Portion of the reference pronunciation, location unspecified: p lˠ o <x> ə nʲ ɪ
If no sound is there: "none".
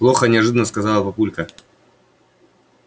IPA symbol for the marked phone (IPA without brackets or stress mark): x